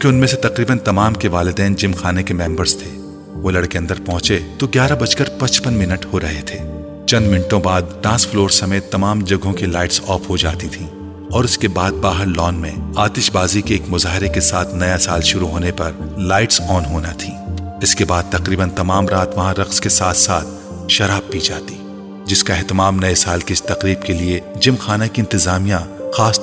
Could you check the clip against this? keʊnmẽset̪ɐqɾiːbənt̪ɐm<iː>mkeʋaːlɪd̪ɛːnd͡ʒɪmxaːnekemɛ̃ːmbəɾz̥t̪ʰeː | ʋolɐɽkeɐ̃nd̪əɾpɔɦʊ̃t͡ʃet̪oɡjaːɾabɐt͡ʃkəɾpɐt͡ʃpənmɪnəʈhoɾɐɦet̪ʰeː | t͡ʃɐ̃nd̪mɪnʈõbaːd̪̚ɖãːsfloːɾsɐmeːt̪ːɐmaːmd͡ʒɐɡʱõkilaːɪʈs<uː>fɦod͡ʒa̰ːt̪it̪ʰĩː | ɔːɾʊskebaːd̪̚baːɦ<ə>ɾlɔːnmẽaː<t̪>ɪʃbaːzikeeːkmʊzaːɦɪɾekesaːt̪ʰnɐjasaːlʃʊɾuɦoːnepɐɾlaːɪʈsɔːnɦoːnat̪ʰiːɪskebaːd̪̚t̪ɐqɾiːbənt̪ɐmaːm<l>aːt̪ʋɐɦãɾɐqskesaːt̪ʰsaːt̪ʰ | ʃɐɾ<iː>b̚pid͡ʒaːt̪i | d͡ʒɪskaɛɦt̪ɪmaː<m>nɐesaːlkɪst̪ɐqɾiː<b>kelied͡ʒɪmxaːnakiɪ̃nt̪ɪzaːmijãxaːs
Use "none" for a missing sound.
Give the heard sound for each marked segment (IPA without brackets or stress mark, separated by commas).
aː, ɔː, ə, t̪, ɾ, aː, m, b